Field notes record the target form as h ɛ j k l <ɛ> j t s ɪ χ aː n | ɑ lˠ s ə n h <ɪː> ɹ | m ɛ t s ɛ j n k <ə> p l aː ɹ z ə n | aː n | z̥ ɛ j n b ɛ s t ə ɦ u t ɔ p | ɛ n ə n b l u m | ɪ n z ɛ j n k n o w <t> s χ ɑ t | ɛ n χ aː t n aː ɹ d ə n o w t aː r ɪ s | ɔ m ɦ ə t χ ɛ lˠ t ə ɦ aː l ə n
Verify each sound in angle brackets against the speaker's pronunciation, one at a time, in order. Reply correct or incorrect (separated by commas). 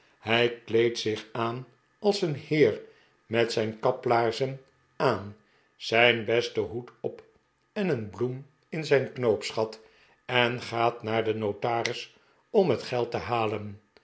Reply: incorrect, correct, incorrect, incorrect